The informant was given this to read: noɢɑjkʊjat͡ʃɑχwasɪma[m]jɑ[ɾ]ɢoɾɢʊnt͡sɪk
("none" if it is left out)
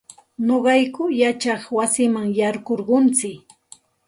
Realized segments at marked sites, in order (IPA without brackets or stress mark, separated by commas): ŋ, ɾ